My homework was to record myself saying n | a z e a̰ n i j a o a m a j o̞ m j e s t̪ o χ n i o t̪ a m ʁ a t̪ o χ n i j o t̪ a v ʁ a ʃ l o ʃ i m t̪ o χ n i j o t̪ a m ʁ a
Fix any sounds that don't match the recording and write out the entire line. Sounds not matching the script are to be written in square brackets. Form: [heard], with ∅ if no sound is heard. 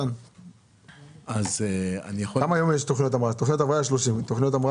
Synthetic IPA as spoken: n | a z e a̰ n i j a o a m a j o̞ m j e [ʃ] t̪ o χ n i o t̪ a m ʁ a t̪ o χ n i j o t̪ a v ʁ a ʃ l o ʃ i m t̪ o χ n i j o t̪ a m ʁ a

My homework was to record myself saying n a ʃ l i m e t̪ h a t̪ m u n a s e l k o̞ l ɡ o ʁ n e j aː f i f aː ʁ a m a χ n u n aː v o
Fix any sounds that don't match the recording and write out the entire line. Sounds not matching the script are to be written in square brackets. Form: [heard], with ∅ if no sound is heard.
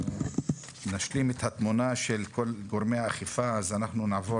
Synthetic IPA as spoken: n a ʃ l i m e t̪ h a t̪ m u n a [ʃ] e l k o̞ l ɡ o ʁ [m] e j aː [χ] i f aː [z] a [n] a χ n u n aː v o

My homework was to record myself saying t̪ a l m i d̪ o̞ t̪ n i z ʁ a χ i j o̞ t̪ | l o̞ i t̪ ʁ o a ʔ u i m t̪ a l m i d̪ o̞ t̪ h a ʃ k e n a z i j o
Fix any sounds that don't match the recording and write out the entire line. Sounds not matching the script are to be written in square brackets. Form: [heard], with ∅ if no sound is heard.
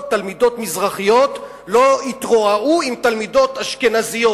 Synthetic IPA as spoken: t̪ a l m i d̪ o̞ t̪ [m] i z ʁ a χ i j o̞ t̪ | l o̞ i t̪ ʁ o a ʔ u i m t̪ a l m i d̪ o̞ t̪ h a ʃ k e n a z i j o

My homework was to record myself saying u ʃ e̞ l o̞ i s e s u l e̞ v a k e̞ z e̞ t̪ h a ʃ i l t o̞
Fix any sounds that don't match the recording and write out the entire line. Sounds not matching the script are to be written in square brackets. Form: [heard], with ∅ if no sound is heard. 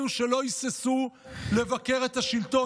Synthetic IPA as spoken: u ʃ e̞ l o̞ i s e s u l e̞ v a k e̞ [ʁ] e̞ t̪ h a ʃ i l t o̞

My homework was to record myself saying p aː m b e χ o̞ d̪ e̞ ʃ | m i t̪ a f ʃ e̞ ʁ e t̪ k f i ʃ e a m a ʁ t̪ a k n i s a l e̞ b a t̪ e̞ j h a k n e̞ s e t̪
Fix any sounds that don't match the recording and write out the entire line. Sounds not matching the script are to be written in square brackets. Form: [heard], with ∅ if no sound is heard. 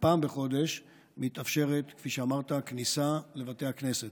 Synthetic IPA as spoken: p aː m b e χ o̞ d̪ e̞ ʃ | m i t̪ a f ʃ e̞ ʁ e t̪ k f i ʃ e a m a ʁ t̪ a k n i s a l e̞ [v] a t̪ e̞ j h a k n e̞ s e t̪

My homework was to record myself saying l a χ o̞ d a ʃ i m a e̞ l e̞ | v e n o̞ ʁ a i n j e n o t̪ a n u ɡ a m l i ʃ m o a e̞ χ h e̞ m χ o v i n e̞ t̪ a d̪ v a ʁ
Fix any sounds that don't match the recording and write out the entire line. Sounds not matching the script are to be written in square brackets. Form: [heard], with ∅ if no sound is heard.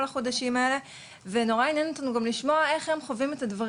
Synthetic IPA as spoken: l a χ o̞ d a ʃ i m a e̞ l e̞ | v e n o̞ ʁ a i n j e n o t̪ a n u ɡ a m l i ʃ m o a e̞ χ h e̞ m χ o v i [m] e̞ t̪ a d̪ v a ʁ

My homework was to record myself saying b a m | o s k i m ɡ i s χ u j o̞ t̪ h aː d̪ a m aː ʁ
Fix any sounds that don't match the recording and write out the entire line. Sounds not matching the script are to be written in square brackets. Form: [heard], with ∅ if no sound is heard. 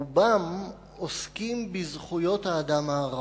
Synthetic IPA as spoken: b a m | o s k i m [b] i [z] χ u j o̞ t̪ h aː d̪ a m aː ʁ

